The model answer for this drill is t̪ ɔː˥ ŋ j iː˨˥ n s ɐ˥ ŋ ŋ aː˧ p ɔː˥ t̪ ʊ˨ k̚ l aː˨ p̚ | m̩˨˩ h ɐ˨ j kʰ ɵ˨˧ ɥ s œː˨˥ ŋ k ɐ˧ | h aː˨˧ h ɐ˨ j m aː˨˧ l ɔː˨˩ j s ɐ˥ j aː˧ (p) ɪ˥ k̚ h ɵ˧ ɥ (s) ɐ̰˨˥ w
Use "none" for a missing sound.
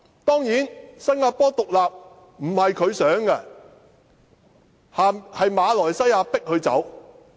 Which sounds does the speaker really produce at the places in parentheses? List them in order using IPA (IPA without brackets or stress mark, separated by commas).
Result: p, t͡s